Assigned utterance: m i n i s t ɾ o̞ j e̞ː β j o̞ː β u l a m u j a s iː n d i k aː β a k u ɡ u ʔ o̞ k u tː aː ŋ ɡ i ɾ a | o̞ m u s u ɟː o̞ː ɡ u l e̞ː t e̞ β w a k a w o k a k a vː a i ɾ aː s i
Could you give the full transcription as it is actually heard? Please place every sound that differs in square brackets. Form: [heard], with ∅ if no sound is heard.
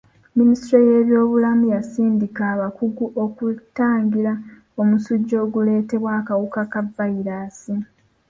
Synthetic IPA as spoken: m i n i s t ɾ o̞ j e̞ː β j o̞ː β u l a m u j a s iː n d i k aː β a k u ɡ u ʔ o̞ k u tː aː ŋ ɡ i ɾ a | o̞ m u s u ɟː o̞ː ɡ u l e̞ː t e̞ β w a k a w [u] k a k a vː a i ɾ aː s i